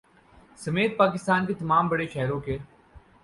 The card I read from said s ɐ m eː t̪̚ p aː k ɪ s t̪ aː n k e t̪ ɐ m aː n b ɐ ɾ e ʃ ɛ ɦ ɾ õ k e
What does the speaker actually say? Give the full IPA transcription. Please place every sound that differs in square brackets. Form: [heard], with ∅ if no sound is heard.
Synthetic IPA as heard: s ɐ m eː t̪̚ p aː k ɪ s t̪ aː n k e t̪ ɐ m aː [m] b ɐ [ɽ] e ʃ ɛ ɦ ɾ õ k e